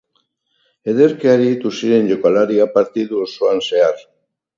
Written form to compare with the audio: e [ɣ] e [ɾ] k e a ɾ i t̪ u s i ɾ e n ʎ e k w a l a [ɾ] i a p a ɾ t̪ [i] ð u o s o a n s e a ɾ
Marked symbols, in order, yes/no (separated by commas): no, yes, yes, yes